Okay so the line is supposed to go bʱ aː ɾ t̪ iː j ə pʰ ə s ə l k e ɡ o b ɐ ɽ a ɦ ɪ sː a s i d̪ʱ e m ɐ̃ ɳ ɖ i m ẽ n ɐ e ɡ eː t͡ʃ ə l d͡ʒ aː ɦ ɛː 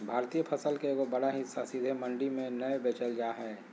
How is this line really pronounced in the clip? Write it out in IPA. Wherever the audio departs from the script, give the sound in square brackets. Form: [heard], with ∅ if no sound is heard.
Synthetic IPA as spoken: bʱ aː ɾ t̪ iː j ə pʰ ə s ə l k e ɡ o b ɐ ɽ a ɦ ɪ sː a s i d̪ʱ e m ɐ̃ ɳ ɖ i m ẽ n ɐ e [b] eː t͡ʃ ə l d͡ʒ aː ɦ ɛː